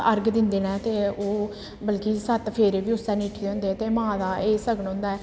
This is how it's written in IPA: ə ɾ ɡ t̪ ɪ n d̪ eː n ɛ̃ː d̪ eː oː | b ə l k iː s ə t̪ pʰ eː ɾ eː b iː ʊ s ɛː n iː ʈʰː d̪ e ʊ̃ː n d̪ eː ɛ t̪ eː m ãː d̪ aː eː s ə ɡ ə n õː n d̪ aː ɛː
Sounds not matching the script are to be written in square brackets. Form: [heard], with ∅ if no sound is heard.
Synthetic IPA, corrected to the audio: ə ɾ ɡ [d̪] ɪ n d̪ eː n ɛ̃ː [t̪] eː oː | b ə l k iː s ə t̪ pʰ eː ɾ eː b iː ʊ s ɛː n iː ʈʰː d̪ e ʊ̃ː n d̪ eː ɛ t̪ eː m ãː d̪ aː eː s ə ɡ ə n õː n d̪ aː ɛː